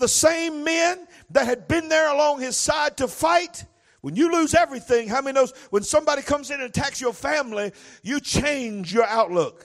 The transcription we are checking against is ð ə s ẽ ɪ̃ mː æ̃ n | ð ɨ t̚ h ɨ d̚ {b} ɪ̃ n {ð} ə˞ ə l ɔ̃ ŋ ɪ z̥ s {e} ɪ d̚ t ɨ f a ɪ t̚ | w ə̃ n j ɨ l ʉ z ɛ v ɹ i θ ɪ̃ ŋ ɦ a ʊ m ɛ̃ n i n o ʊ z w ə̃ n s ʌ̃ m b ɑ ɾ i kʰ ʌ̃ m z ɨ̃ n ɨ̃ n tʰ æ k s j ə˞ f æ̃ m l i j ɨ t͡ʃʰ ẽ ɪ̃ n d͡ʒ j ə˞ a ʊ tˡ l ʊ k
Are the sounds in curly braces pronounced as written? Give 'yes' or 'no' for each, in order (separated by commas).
yes, yes, no